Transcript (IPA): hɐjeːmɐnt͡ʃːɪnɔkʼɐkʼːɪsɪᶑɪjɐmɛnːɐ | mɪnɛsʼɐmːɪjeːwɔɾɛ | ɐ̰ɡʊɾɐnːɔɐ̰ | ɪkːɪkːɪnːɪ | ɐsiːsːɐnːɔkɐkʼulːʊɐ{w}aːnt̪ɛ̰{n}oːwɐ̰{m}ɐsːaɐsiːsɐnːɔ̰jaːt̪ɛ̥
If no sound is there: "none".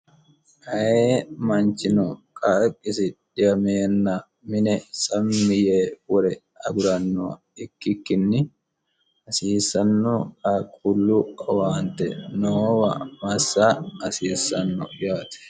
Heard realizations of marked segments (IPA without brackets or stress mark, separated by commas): w, n, m